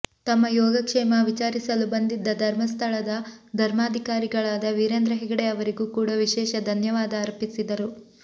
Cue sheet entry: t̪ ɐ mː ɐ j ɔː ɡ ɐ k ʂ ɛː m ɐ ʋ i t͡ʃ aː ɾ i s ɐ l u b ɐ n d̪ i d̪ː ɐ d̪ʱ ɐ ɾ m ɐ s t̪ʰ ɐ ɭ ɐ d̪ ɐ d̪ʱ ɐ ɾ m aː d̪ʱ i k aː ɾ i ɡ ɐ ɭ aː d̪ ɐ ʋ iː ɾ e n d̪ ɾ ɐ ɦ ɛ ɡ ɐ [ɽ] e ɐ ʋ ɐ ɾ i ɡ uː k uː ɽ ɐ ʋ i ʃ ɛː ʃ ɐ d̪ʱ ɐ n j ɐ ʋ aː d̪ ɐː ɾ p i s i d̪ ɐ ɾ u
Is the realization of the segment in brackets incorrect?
no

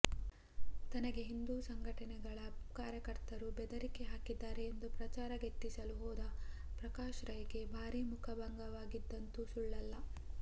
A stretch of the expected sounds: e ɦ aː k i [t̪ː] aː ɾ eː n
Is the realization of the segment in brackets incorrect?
yes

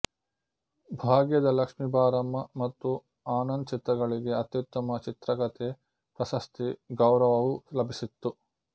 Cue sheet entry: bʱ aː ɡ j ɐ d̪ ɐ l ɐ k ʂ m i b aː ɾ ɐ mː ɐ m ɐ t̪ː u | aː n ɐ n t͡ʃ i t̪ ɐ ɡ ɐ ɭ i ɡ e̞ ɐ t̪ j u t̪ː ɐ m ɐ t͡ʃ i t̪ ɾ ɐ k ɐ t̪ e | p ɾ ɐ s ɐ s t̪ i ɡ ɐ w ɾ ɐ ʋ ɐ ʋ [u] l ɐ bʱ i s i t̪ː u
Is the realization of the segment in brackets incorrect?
no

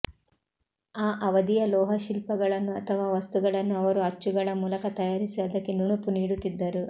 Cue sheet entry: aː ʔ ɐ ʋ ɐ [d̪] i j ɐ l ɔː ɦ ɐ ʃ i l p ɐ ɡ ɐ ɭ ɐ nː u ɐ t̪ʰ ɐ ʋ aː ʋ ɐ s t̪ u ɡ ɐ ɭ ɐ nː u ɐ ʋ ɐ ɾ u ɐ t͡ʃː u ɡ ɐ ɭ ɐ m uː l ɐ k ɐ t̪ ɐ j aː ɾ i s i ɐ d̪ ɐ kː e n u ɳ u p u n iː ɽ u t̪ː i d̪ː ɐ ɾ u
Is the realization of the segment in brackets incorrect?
no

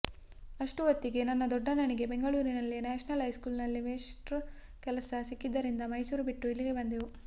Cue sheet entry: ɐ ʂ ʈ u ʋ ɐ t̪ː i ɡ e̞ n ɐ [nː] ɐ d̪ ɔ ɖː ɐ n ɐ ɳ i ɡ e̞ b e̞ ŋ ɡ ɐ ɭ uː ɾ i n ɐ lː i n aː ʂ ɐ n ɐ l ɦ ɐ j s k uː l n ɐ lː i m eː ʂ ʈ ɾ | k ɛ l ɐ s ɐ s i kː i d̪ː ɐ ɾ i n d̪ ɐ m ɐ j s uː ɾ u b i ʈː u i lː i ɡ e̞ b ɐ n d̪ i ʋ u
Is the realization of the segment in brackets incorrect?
no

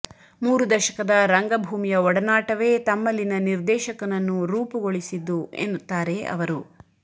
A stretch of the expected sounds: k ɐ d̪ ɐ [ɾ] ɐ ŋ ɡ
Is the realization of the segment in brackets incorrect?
no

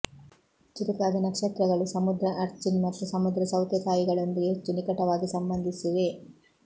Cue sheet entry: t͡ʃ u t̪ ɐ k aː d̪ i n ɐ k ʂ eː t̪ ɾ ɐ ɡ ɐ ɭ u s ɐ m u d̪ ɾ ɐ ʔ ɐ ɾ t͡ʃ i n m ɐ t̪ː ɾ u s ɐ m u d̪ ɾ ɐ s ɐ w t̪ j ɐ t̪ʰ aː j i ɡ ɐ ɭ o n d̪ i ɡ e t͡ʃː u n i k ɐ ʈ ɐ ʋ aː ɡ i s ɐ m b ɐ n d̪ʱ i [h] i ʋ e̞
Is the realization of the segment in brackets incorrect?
yes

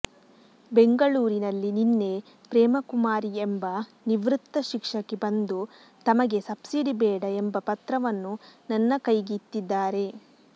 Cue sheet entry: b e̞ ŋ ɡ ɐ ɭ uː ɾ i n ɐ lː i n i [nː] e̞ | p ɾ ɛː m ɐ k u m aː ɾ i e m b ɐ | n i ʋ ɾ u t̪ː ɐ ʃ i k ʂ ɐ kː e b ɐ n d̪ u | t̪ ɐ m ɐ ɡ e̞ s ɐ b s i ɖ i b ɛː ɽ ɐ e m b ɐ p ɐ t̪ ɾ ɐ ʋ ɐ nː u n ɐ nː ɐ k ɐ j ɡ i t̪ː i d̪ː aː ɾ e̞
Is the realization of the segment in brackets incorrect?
no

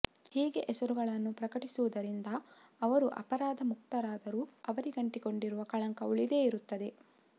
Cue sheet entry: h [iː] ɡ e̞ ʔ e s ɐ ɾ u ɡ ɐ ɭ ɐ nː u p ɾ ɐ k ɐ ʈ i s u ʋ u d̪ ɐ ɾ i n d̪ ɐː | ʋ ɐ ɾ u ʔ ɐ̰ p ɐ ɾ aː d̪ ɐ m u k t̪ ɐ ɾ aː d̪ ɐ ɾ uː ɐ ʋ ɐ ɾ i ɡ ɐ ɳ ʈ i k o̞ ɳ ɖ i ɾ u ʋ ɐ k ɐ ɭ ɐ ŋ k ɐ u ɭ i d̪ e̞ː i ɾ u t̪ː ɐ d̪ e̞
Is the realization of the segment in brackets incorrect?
no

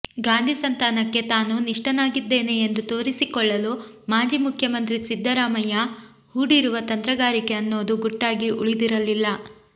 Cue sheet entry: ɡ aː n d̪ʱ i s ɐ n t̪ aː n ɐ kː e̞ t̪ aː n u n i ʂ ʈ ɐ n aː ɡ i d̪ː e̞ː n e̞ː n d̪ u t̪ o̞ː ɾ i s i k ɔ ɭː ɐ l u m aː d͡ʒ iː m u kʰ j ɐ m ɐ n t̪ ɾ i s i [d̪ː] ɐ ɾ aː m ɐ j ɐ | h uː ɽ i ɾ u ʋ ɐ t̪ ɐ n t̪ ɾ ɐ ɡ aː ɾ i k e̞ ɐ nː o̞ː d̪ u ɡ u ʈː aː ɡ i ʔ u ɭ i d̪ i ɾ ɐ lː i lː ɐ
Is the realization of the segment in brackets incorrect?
no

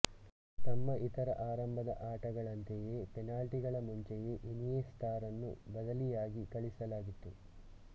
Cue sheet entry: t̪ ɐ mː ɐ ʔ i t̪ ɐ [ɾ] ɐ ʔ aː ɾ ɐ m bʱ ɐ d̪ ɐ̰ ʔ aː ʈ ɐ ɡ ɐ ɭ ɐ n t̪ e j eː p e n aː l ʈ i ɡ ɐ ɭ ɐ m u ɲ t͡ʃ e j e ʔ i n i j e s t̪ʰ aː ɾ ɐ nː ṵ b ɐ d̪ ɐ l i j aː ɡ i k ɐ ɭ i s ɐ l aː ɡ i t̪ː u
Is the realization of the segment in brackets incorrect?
no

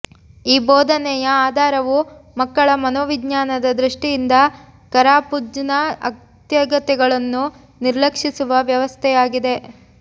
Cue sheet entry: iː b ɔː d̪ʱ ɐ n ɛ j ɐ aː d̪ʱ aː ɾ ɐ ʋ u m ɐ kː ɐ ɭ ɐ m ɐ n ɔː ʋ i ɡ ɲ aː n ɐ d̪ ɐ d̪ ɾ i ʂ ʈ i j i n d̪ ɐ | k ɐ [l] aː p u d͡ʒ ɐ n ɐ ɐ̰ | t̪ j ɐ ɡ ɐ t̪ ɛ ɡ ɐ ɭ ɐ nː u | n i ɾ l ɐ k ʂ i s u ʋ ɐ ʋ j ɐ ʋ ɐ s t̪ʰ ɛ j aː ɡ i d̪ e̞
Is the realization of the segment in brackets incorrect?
yes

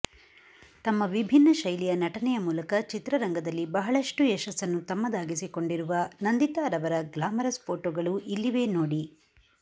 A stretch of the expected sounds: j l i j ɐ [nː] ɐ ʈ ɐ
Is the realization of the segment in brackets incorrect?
yes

